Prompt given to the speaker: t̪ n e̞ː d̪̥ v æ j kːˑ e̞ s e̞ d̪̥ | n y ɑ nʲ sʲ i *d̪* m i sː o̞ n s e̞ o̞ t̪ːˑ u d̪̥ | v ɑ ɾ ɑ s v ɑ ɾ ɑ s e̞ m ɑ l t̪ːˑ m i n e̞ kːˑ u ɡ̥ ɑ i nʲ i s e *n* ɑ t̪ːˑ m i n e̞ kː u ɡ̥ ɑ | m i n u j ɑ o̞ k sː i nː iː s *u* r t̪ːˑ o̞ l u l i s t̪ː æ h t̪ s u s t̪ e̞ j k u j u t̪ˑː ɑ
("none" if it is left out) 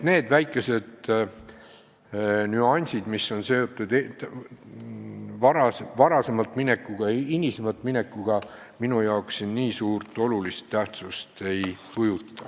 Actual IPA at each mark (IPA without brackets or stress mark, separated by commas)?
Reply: d̪, m, uː